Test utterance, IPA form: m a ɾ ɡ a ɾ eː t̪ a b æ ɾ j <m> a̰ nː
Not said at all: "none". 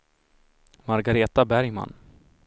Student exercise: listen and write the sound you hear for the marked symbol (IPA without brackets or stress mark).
m